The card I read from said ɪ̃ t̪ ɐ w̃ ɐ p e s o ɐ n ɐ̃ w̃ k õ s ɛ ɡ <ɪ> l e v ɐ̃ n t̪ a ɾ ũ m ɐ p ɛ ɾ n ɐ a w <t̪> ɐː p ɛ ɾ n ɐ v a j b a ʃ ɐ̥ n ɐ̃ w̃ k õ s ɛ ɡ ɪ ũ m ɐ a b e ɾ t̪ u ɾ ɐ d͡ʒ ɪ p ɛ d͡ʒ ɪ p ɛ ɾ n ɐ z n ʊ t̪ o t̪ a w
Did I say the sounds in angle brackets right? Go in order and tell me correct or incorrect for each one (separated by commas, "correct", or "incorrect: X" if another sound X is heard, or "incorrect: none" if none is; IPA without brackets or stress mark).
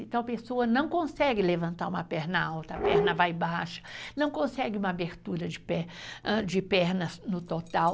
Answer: correct, correct